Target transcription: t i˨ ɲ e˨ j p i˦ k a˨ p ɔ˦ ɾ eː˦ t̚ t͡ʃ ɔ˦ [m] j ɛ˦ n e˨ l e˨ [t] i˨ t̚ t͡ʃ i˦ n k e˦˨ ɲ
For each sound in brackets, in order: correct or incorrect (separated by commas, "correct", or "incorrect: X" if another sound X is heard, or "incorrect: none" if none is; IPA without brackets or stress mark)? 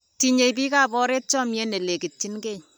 correct, incorrect: k